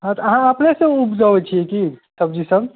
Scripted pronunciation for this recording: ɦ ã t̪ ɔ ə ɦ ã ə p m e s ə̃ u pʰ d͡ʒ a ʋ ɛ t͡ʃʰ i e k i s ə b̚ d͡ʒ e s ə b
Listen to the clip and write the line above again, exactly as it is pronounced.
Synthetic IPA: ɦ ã t̪ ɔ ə ɦ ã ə p n e s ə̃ u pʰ d͡ʒ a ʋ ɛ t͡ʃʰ i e k i s ə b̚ d͡ʒ i s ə b